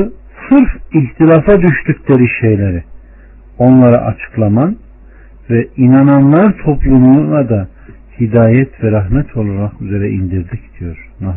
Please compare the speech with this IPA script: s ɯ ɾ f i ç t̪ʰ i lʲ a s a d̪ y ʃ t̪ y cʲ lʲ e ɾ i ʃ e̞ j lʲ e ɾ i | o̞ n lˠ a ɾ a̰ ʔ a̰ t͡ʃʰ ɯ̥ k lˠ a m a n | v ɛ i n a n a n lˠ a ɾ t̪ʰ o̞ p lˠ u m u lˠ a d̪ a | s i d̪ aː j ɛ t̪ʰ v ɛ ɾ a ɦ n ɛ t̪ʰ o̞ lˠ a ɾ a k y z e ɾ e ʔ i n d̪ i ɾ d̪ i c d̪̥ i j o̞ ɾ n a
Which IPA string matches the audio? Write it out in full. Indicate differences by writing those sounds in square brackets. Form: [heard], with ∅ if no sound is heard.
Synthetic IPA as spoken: s ɯ ɾ f i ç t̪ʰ i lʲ a [f] a d̪ y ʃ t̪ y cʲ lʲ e ɾ i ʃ e̞ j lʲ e ɾ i | o̞ n lˠ a ɾ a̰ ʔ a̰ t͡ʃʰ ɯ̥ k lˠ a m a n | v ɛ i n a n a n lˠ a ɾ t̪ʰ o̞ p lˠ u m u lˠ a d̪ a | [h] i d̪ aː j ɛ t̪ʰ v ɛ ɾ a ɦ [m] ɛ t̪ʰ o̞ lˠ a ɾ a k y z e ɾ [ɛ] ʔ i n d̪ i ɾ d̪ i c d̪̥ i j o̞ ɾ n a